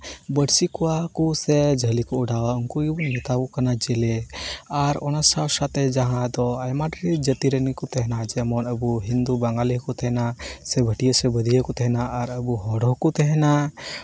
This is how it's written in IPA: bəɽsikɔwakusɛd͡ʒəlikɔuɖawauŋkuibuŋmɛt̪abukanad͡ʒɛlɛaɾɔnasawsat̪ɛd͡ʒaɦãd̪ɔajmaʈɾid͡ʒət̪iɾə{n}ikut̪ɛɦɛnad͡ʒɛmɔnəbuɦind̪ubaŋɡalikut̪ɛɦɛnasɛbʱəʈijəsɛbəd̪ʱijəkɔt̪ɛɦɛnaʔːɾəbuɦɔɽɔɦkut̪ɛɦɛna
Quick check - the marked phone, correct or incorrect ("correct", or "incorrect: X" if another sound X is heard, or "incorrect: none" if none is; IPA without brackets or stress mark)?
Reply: correct